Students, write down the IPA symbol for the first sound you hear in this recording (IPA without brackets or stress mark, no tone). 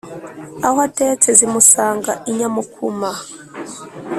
a